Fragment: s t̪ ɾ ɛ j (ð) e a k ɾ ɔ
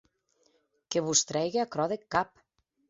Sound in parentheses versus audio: incorrect: ɣ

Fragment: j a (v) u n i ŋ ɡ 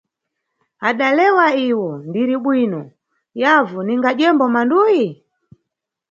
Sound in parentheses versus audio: correct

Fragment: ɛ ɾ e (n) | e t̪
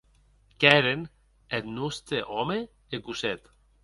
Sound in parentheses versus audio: correct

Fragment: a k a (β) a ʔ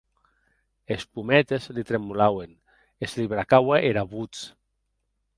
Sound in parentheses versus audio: incorrect: w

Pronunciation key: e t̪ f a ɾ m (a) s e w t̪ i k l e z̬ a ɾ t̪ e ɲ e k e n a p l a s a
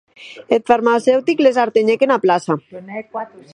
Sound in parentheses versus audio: correct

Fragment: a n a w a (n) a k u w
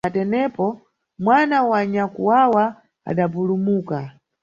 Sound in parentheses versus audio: incorrect: ɲ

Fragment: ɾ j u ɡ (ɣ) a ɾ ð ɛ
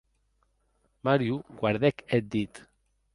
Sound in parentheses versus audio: incorrect: w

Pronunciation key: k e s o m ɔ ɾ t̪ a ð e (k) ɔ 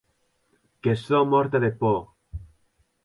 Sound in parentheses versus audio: incorrect: p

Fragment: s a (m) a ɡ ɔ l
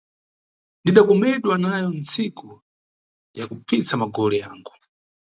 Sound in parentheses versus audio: correct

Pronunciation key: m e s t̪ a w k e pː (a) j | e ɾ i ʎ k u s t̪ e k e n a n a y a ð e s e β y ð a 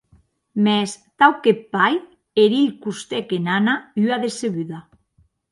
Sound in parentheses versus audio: correct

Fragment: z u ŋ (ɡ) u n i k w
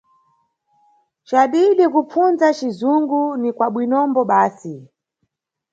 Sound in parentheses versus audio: correct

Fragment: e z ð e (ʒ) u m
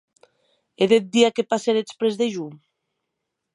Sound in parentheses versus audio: correct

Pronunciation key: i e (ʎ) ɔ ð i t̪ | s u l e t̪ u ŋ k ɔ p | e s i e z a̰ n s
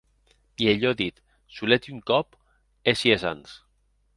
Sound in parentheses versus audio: correct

